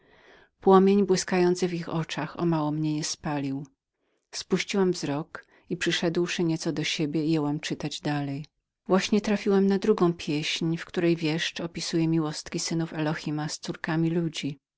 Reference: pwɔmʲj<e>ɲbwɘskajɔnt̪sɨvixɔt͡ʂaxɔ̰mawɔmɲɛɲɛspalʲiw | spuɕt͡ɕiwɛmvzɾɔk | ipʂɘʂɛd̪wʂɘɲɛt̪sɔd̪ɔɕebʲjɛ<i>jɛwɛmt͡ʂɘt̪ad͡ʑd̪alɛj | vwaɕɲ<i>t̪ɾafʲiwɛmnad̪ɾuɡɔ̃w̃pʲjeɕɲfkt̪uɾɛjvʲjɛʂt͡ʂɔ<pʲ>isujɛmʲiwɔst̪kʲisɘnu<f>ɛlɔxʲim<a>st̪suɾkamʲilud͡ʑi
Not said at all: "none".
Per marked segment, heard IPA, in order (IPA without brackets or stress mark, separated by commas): e, i, ɛ, pʲ, f, a